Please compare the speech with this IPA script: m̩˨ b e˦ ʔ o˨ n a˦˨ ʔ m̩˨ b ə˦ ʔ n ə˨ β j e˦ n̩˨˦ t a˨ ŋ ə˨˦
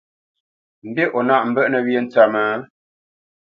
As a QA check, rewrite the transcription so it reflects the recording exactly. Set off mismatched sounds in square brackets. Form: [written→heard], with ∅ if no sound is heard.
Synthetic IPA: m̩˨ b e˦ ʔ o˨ n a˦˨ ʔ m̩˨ b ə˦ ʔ n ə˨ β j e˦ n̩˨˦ [t→t͡s] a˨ [ŋ→m] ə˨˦

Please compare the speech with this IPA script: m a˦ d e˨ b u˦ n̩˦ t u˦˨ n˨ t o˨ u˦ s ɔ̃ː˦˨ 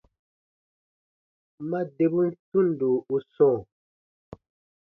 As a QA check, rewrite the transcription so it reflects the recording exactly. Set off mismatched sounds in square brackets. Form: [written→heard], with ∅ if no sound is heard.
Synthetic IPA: m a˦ d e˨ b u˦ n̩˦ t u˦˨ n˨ [t→d] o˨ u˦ s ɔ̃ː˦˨

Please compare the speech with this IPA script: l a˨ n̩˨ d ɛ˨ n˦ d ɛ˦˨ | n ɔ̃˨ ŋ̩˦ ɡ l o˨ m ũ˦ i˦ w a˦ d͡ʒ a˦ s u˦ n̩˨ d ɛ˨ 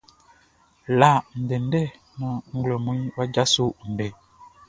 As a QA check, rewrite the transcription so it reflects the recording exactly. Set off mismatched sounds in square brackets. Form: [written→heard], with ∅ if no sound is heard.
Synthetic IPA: l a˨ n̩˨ d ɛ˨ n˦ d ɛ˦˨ | n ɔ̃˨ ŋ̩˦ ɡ l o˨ m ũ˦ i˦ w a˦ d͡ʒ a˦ s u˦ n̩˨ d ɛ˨

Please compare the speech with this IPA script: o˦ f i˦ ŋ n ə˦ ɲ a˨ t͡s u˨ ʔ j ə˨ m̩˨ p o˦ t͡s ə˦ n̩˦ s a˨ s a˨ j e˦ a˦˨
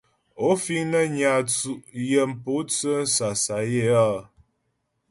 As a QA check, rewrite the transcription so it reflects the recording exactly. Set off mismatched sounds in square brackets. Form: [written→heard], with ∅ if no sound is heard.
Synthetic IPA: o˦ f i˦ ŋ n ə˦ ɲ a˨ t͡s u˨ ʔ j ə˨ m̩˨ p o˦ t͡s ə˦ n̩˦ s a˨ s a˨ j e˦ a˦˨

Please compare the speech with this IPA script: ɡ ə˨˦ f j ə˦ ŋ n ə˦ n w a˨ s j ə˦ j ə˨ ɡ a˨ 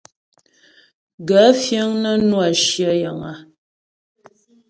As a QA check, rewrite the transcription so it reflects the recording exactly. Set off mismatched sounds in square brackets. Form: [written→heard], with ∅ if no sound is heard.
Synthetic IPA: ɡ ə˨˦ f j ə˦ ŋ n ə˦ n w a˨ [s→ʃ] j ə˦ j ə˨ [ɡ→ŋ] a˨

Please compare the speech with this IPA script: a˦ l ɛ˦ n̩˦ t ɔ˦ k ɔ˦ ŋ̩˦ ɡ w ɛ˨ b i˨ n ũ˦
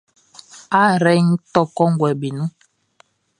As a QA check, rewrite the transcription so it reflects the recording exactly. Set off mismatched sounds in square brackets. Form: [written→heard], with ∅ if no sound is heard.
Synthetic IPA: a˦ [l→ɾ] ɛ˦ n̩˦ t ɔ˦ k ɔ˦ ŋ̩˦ ɡ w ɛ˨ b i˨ n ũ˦

